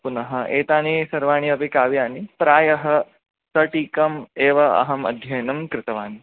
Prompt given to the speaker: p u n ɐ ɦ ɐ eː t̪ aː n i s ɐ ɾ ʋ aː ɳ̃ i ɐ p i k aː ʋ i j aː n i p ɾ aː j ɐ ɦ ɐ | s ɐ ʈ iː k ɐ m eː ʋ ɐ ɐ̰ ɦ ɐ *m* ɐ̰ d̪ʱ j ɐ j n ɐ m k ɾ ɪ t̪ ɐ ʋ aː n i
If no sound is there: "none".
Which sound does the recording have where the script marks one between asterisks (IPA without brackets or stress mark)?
m